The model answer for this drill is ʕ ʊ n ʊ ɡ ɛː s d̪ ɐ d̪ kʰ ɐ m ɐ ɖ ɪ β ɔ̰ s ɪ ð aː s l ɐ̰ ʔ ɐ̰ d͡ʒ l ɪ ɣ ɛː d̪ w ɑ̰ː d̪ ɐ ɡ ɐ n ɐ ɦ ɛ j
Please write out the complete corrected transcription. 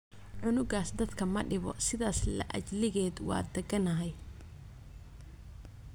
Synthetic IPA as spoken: ʕ ʊ n ʊ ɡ aː s d̪ ɐ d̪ kʰ ɐ m ɐ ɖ ɪ β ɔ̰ s ɪ ð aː s l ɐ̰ ʔ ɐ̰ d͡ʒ l ɪ ɣ ɛː d̪ w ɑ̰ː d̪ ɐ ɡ ɐ n ɐ ɦ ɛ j